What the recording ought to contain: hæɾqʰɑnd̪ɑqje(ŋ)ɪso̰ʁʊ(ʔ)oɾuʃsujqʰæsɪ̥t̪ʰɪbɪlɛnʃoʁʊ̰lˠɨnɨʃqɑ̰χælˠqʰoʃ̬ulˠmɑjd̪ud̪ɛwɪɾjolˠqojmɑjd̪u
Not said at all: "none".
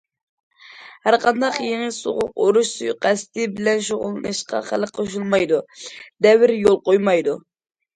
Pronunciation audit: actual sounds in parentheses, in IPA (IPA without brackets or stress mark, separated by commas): ŋ, q